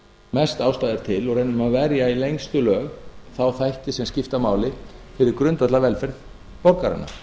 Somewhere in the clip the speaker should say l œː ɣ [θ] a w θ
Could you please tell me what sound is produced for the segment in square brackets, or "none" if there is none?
θ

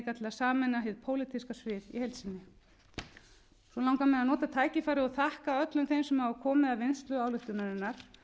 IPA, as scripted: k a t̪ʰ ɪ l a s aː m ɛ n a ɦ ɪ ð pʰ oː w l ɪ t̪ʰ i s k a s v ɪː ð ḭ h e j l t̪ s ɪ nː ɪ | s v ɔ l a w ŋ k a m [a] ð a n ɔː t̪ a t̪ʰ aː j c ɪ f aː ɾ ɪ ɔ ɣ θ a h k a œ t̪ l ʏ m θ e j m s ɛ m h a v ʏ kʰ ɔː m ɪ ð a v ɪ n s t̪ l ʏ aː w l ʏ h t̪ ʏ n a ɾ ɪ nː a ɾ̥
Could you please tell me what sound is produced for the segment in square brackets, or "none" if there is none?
ɛ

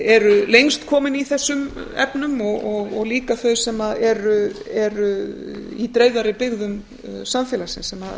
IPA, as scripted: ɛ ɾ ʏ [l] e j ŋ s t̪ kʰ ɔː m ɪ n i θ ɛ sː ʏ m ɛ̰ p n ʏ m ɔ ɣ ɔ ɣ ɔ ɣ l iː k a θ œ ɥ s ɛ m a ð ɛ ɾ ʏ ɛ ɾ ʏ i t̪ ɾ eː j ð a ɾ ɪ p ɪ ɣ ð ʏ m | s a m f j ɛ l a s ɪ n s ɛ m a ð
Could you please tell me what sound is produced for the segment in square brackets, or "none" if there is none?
l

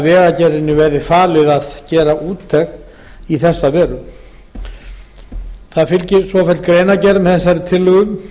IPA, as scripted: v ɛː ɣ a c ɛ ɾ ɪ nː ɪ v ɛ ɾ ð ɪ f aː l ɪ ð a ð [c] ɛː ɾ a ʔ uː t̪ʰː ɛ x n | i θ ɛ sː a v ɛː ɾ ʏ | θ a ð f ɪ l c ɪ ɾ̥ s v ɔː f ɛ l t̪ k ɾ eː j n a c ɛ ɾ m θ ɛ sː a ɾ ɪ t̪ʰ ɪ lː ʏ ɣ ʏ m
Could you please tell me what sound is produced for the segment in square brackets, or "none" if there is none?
c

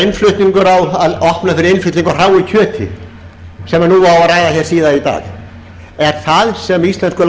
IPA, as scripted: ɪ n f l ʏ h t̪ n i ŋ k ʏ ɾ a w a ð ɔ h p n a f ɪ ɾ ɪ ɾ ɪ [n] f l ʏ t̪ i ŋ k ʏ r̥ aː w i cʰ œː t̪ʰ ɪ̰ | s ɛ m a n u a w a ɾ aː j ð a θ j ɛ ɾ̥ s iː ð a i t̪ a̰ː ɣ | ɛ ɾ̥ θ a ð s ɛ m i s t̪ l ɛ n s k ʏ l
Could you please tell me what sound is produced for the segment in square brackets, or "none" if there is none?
n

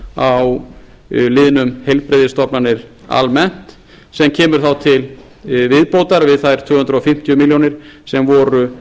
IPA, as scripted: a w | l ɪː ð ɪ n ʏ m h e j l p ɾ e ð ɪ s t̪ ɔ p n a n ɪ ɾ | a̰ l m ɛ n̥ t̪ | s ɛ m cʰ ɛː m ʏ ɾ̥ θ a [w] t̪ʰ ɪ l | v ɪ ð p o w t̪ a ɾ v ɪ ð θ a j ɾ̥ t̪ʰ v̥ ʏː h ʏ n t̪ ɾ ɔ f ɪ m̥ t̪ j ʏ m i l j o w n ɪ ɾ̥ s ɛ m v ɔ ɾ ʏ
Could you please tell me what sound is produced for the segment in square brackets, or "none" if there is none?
w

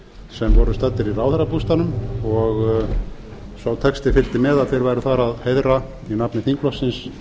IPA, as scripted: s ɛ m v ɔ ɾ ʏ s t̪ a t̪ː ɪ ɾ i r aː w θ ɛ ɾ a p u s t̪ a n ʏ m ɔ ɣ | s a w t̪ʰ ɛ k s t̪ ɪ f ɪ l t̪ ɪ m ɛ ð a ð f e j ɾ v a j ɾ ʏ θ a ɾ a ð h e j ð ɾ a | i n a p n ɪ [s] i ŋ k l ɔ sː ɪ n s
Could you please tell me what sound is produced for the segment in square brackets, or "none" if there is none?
θ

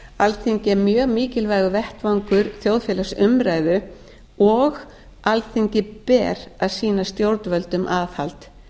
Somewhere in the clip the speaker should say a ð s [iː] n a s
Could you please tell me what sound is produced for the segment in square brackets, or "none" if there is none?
iː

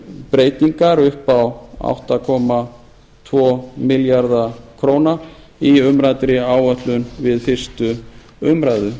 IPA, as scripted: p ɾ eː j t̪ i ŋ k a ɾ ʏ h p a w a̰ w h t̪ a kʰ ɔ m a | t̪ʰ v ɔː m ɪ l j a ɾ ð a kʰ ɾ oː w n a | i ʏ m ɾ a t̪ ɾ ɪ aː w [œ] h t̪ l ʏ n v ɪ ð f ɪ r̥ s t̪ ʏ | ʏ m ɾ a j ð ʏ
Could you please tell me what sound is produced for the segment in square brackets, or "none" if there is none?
œ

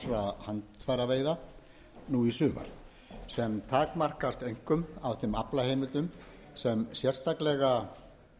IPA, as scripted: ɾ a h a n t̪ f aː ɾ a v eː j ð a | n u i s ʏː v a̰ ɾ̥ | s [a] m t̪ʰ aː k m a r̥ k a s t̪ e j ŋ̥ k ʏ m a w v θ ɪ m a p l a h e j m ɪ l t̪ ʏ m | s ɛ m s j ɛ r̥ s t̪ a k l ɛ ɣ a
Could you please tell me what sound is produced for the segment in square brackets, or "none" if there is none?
ɛ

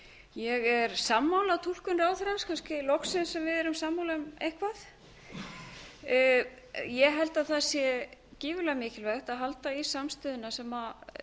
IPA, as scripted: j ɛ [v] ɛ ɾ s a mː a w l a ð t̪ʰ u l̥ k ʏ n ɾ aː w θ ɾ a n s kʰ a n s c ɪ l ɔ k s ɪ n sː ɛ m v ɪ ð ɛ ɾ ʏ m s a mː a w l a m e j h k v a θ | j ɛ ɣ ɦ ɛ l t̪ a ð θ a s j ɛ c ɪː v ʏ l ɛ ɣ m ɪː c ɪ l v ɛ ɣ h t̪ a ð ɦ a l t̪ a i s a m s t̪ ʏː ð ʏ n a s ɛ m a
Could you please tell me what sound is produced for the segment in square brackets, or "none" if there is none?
ɣ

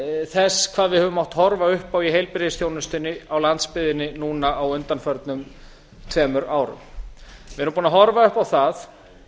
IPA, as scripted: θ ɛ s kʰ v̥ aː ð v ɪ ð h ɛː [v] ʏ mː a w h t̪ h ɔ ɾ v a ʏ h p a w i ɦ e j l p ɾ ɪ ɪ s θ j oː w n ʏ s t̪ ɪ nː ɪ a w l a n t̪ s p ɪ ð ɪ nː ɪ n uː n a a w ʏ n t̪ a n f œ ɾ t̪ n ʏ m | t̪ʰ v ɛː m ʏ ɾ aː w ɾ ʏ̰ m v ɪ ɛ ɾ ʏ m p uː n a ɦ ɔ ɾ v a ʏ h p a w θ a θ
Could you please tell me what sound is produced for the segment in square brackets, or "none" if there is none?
v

